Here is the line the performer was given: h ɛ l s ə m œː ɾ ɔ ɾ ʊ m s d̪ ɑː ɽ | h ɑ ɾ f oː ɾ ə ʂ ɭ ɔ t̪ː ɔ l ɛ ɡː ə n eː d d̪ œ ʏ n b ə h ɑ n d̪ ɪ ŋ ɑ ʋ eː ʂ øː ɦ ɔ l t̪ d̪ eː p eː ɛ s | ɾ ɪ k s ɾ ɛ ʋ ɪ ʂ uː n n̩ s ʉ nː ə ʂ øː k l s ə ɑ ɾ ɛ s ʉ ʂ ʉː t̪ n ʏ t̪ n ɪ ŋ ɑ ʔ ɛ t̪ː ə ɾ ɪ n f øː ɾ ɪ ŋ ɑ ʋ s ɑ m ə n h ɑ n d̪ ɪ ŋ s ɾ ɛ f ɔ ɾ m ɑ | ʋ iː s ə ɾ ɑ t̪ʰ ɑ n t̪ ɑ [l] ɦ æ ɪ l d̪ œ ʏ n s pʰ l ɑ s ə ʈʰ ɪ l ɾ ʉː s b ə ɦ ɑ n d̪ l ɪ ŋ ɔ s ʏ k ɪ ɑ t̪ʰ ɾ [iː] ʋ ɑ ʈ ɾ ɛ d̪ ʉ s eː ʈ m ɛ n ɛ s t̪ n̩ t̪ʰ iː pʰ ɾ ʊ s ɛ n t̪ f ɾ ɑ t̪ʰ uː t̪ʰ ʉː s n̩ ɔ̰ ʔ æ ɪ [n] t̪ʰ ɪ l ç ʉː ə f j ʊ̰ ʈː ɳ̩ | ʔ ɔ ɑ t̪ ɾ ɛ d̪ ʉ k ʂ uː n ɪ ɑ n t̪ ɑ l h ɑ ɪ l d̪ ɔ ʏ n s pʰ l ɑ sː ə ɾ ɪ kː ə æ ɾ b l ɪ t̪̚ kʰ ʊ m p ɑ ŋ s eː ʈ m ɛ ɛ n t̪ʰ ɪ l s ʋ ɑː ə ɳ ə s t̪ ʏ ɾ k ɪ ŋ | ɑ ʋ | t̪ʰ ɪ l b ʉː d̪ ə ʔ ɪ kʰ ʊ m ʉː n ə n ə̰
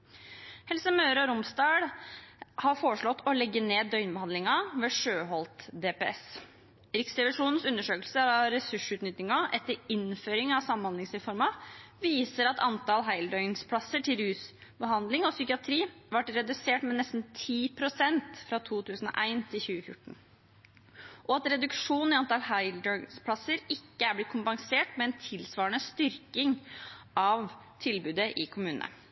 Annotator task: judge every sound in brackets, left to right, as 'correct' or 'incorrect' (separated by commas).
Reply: correct, correct, correct